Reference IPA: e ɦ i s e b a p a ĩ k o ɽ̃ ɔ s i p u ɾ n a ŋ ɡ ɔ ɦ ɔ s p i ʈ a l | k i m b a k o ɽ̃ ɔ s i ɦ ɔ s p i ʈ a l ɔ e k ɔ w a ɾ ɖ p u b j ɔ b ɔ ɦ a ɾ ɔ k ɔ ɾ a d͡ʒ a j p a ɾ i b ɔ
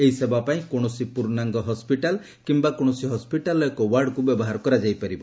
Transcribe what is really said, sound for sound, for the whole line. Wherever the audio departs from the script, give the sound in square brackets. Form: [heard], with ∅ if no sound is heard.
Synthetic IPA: e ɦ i s e b a p a ĩ k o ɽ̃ ɔ s i p u ɾ n a ŋ ɡ ɔ ɦ ɔ s p i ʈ a l | k i m b a k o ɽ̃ ɔ s i ɦ ɔ s p i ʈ a l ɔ e k ɔ w a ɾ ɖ [k] u b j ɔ b ɔ ɦ a ɾ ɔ k ɔ ɾ a d͡ʒ a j p a ɾ i b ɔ